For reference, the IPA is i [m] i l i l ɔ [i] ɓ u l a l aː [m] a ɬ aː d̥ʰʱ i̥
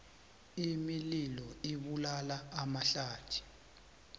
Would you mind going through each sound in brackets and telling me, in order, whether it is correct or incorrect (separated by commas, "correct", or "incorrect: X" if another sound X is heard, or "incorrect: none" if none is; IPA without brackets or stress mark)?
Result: correct, correct, correct